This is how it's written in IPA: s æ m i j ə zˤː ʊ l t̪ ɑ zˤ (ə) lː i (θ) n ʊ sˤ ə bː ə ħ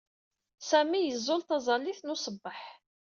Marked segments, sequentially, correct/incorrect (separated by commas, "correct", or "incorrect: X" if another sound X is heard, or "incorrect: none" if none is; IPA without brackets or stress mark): incorrect: ɑ, correct